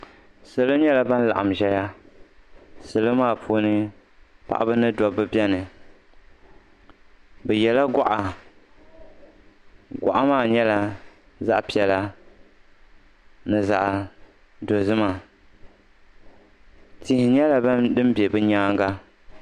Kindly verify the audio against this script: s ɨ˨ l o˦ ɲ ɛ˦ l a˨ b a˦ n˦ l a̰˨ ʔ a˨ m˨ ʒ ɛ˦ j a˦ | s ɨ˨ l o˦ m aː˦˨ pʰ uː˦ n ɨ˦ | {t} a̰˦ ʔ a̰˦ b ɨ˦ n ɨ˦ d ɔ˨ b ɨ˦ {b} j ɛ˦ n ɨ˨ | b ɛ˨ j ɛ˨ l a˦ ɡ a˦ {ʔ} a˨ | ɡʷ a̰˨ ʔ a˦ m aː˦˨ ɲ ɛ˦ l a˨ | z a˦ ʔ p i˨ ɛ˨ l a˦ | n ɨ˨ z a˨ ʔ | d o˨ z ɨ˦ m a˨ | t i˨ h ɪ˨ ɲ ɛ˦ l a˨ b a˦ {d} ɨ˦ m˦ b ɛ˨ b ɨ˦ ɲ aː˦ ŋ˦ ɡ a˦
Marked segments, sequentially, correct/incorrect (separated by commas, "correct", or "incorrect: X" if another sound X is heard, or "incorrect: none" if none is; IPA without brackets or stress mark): incorrect: p, correct, correct, correct